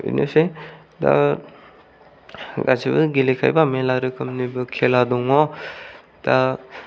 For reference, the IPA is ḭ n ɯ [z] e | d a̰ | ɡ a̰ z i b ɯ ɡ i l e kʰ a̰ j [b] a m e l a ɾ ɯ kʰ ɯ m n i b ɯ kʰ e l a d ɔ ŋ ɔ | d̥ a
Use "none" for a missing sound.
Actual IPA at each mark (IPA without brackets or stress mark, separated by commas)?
s, b